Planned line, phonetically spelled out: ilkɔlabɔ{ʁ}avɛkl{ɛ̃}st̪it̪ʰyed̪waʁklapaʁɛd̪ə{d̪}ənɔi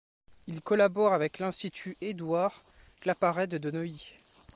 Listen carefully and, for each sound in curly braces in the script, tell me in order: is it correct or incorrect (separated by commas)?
correct, correct, correct